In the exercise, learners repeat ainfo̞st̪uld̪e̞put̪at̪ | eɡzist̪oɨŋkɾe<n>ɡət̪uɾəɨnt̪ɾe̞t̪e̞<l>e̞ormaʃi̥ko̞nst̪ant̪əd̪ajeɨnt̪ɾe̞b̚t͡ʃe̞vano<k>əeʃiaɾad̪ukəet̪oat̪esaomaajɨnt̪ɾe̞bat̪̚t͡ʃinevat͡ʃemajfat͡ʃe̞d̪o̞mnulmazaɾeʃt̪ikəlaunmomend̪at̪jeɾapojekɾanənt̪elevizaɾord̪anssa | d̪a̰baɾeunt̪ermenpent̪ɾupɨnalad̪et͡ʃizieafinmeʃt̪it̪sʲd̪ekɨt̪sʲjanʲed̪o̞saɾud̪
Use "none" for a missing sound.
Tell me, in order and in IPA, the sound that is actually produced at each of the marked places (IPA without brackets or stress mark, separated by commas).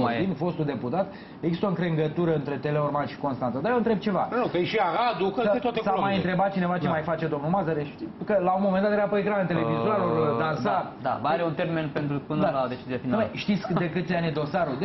ŋ, l, k